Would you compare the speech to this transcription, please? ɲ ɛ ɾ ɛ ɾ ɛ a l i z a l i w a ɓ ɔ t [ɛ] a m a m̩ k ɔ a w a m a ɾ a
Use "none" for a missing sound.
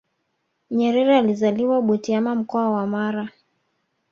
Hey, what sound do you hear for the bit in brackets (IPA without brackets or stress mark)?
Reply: i